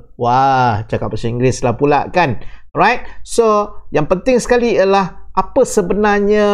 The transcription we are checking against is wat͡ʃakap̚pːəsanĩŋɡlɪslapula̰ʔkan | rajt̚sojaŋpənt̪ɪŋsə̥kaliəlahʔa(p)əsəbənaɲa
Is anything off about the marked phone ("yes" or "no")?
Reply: no